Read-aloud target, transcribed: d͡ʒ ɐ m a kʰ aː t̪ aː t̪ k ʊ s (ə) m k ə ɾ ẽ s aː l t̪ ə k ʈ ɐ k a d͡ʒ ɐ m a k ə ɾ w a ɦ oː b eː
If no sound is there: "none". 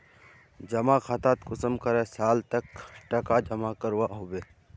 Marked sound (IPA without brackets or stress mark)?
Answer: ə